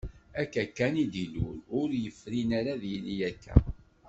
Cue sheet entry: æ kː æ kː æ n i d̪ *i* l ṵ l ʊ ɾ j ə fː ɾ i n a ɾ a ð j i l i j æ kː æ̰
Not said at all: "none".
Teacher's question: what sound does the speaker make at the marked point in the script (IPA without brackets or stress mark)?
i